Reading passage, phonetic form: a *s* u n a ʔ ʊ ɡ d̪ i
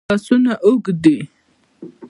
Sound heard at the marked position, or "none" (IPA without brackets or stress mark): s